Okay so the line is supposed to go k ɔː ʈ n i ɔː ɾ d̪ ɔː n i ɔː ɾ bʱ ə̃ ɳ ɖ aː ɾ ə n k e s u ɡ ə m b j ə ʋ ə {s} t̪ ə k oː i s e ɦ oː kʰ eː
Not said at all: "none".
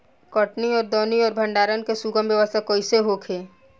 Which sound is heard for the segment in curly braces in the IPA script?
s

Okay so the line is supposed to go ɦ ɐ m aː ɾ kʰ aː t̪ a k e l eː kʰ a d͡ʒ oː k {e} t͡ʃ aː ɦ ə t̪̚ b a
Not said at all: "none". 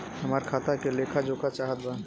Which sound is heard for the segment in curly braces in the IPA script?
a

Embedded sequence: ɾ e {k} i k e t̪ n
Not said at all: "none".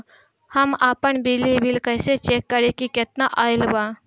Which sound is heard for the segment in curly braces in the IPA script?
k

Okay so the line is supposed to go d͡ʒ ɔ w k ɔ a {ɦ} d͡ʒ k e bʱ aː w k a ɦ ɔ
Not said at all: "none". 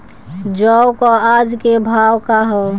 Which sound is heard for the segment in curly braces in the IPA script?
none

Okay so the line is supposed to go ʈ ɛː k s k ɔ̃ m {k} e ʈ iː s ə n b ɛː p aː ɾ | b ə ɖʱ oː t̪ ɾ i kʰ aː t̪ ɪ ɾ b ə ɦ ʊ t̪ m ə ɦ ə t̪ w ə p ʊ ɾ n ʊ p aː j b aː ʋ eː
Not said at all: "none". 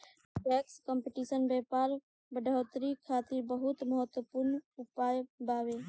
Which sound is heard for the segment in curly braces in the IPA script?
p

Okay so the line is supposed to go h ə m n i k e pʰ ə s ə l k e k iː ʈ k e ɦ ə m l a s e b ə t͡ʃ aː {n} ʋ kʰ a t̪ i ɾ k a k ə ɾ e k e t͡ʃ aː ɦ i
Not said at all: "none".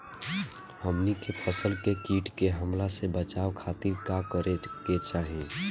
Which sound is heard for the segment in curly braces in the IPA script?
none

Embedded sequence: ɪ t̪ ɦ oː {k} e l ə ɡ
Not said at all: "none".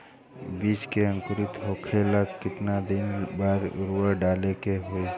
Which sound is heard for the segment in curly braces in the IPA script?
kʰ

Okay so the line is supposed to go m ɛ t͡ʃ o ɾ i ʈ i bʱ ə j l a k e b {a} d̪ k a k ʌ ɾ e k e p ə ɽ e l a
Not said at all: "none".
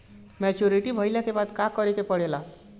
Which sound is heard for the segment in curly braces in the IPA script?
a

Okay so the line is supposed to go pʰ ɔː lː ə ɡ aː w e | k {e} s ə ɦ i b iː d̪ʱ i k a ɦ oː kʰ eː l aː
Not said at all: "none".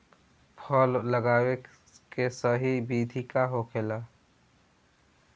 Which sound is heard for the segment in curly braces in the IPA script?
e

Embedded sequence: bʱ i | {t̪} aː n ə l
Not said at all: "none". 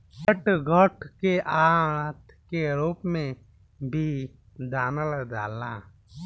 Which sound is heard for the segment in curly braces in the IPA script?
d̪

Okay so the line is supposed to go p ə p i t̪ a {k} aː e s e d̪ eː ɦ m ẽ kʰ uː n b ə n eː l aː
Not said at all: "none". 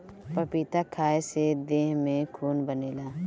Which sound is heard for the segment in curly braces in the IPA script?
kʰ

